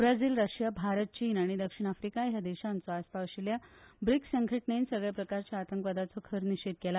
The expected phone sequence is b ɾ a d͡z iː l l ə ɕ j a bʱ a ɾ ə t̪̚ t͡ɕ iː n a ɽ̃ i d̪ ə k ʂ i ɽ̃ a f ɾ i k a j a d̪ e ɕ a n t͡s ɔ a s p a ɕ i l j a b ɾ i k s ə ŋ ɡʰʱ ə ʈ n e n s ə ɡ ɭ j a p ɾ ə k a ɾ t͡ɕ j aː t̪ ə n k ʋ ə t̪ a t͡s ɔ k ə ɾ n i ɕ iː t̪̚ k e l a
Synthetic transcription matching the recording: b ɾ a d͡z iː l ɾ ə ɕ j a bʱ a ɾ ə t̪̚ t͡ɕ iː n a ɽ̃ i d̪ ə k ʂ i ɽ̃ a f ɾ i k a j a d̪ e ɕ a n t͡s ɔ a s p a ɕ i l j a b ɾ i k s ə ŋ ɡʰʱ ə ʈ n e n s ə ɡ ɭ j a p ɾ ə k a ɾ t͡ɕ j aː t̪ ə ŋ k ʋ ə d̪ a t͡s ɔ kʰ ə ɾ n i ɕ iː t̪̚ k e l a

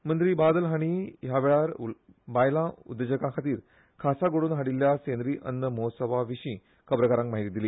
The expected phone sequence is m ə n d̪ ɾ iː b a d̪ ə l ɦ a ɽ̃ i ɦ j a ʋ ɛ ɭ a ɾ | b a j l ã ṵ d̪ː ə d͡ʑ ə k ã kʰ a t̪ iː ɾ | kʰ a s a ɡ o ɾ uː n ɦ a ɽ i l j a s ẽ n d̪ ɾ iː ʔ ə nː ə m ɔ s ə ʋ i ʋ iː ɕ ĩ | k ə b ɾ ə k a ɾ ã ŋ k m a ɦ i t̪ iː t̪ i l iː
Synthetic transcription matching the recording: m ə n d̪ ɾ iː b a d̪ ə l ɦ a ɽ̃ i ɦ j a ʋ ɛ ɭ a ɾ | b a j l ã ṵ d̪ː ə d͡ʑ ə k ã kʰ a t̪ iː ɾ | kʰ a s a ɡ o ɽ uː n ɦ a ɽ i l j a s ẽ n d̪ ɾ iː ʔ ə nː ə m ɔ s ə ʋ a ʋ i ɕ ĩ | k ə b ɾ ə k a ɾ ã ŋ k m a ɦ i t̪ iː d̪ i l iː

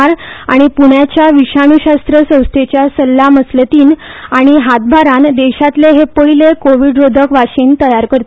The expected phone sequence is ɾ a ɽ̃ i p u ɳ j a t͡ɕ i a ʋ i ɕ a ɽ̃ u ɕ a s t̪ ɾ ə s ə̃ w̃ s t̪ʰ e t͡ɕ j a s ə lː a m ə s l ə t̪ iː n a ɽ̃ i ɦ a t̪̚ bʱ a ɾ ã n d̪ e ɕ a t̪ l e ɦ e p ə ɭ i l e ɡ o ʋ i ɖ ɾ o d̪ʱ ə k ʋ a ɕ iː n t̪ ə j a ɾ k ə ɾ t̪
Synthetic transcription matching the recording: ɾ a ɽ̃ i p u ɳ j a t͡ɕ j a ʋ i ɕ a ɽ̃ u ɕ a s t̪ ɾ ə s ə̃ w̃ s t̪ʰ e t͡ɕ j a s ə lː a m ə s l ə t̪ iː n a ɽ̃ i ɦ a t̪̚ bʱ a ɾ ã n d̪ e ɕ a t̪ l e ɦ e p ə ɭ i l e k o ʋ i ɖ ɾ o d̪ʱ ə k ʋ a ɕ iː n t̪ ə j a ɾ k ə ɾ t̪

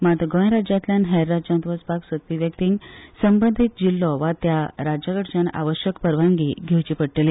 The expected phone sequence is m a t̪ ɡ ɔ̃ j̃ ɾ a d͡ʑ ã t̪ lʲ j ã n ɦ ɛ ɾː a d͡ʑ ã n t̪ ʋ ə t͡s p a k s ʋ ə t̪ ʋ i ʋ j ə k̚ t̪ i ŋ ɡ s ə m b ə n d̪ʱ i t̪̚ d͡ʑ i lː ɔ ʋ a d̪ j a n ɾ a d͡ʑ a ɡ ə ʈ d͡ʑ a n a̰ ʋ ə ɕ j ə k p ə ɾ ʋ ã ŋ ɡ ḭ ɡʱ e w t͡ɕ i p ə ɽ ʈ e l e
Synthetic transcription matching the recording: m a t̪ ɡ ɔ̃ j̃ ɾ a d͡ʑ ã t̪ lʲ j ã n ɦ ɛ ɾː a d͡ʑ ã n t̪ ʋ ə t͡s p a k s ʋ ə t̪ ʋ i ʋ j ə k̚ t̪ i ŋ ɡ s ə m b ə n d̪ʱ i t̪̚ d͡ʑ i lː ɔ ʋ a t̪ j a ɾ a d͡ʑ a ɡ ə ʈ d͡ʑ a n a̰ ʋ ə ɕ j ə k p ə ɾ ʋ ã ŋ ɡ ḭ ɡʱ e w t͡ɕ i p ə ɽ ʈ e l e

